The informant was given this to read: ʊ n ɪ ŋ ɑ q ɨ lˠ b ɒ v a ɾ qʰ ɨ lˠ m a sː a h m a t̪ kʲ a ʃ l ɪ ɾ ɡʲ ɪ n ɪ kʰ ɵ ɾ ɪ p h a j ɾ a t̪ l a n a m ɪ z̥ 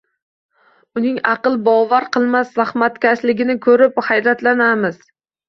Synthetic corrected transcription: ʊ n ɪ ŋ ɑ q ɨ lˠ b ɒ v a ɾ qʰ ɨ lˠ m a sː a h m a t̪ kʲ a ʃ l ɪ ɡʲ ɪ n ɪ kʰ ɵ ɾ ɪ p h a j ɾ a t̪ l a n a m ɪ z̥